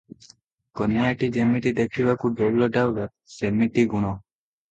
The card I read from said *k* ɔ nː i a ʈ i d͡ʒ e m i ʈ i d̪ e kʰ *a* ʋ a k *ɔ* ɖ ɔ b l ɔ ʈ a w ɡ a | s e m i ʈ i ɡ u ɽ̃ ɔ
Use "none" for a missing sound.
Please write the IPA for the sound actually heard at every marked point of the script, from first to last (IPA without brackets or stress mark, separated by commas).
k, i, u